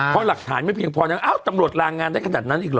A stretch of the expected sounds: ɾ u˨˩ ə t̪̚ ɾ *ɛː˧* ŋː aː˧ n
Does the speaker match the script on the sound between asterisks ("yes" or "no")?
no